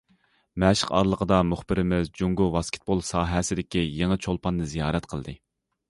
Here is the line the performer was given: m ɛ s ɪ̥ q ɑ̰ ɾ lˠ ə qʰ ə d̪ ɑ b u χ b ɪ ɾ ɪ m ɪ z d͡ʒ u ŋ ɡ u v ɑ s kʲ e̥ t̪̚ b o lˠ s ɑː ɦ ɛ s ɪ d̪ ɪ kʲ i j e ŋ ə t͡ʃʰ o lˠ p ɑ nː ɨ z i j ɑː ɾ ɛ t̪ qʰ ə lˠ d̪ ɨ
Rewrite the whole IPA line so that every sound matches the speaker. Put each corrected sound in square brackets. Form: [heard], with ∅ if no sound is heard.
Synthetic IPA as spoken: m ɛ [ʃ] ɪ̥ q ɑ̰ ɾ lˠ ə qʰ ə d̪ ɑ [m] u χ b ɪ ɾ ɪ m ɪ z d͡ʒ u ŋ ɡ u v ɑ s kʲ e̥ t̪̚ b o lˠ s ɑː ɦ ɛ s ɪ d̪ ɪ kʲ i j e ŋ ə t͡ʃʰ o lˠ p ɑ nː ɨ z i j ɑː ɾ ɛ t̪ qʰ ə lˠ d̪ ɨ